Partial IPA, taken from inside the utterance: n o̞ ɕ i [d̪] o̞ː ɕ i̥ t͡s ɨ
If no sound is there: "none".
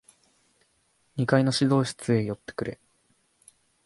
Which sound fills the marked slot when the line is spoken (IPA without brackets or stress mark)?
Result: d̪